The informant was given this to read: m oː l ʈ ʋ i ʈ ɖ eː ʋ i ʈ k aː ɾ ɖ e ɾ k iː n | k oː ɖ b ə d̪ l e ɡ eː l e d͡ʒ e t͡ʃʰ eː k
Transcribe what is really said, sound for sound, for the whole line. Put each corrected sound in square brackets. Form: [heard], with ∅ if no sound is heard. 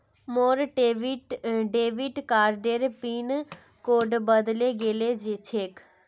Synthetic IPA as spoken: m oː [ɾ] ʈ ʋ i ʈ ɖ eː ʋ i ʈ k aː ɾ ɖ e ɾ [p] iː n | k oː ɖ b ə d̪ l e ɡ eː l e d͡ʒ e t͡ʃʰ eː k